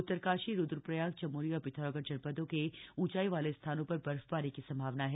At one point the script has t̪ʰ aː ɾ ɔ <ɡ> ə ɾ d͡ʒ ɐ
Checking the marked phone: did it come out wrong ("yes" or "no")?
no